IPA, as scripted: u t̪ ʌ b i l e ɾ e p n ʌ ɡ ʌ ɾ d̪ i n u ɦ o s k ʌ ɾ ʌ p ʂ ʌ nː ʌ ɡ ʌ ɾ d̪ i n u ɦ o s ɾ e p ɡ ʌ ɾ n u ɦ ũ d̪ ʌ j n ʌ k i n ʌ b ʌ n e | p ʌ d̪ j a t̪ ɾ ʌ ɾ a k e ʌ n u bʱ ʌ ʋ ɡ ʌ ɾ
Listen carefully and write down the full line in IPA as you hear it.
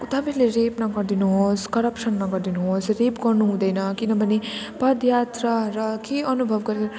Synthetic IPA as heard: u t̪ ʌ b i l e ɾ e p n ʌ ɡ ʌ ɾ d̪ i n u ɦ o s k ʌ ɾ ʌ p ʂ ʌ nː ʌ ɡ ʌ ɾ d̪ i n u ɦ o s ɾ e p ɡ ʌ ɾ n u ɦ ũ d̪ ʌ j n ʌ k i n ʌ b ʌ n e | p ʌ d̪ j a t̪ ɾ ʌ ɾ ʌ k e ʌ n u bʱ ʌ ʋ ɡ ʌ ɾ